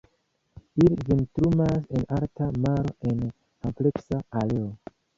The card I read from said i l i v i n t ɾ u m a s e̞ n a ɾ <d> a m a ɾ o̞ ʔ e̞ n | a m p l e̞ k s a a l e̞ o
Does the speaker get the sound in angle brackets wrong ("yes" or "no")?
yes